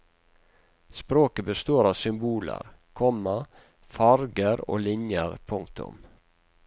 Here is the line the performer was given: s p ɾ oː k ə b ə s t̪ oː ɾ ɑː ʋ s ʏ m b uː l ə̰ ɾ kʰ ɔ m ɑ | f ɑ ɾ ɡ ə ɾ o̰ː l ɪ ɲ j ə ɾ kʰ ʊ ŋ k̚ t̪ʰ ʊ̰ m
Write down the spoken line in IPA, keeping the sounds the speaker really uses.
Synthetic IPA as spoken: s p ɾ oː k ə b ə s t̪ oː ɾ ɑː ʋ s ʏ m b uː l ə̰ ɾ kʰ ɔ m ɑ | f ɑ ɾ ɡ ə ɾ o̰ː l ɪ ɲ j ə ɾ pʰ ʊ ŋ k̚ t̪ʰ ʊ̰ m